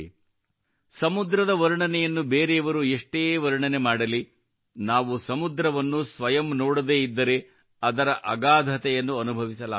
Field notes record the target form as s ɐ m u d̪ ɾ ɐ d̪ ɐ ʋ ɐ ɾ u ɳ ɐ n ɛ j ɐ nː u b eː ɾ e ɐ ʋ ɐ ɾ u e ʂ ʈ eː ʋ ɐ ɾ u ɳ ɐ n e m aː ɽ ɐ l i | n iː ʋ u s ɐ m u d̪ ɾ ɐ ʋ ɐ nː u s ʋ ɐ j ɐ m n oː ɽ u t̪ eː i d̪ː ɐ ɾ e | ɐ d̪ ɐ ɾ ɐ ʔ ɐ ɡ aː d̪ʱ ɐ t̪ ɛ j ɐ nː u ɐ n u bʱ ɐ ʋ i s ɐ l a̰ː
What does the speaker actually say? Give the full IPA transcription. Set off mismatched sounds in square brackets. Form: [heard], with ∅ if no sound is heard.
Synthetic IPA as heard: s ɐ m u d̪ ɾ ɐ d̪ ɐ ʋ ɐ ɾ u ɳ ɐ n ɛ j ɐ nː u b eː ɾ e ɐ ʋ ɐ ɾ u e ʂ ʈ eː ʋ ɐ ɾ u ɳ ɐ n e m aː ɽ ɐ l i | n [aː] ʋ u s ɐ m u d̪ ɾ ɐ ʋ ɐ nː u s ʋ ɐ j ɐ m n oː ɽ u [d̪] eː i d̪ː ɐ ɾ e | ɐ d̪ ɐ ɾ ɐ ʔ ɐ ɡ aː d̪ʱ ɐ t̪ ɛ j ɐ nː u ɐ n u bʱ ɐ ʋ i s ɐ l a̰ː